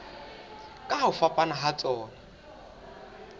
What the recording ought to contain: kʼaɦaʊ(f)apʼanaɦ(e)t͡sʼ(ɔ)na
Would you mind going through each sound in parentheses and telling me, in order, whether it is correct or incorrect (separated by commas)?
correct, incorrect, incorrect